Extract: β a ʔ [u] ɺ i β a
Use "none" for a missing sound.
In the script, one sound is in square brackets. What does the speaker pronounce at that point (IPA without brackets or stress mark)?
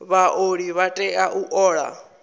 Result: o